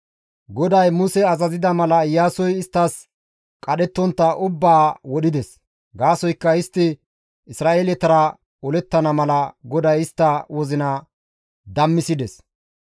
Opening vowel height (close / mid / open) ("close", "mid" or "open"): mid